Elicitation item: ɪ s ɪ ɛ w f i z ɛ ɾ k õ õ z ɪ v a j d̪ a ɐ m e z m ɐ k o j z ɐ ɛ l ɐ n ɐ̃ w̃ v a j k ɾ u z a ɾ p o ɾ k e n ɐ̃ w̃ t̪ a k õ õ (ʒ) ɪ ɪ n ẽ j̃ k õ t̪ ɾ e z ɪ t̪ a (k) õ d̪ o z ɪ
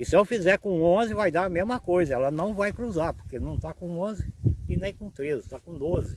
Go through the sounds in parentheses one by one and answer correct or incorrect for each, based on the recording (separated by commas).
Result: incorrect, correct